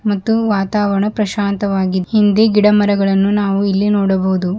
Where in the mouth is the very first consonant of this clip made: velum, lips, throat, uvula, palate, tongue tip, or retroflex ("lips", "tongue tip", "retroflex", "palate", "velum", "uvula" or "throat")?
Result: lips